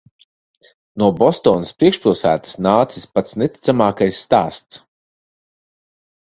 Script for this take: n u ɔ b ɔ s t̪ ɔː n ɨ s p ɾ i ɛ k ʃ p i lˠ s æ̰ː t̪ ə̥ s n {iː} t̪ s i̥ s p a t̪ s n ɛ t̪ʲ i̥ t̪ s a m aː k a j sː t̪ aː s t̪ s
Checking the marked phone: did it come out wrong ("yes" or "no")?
yes